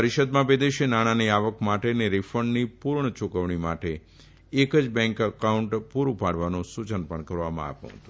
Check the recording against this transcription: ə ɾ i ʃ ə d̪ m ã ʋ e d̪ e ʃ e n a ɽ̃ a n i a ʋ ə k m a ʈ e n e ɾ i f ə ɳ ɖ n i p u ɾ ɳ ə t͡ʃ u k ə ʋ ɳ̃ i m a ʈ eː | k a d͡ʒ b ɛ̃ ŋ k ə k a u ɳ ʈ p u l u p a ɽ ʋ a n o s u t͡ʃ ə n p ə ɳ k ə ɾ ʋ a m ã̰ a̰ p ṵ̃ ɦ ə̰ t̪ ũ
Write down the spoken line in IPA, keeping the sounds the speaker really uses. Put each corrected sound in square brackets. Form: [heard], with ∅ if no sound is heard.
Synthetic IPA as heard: ə ɾ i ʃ ə d̪ m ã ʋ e d̪ e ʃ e n a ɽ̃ a n i a ʋ ə k m a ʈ e n e ɾ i f ə ɳ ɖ n i p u ɾ ɳ ə t͡ʃ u k ə ʋ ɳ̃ i m a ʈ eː | k [ə] d͡ʒ b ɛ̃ ŋ k ə k a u ɳ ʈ p u [ɾ] u p a ɽ ʋ a n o s u t͡ʃ ə n p ə ɳ k ə ɾ ʋ a m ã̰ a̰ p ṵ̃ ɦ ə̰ t̪ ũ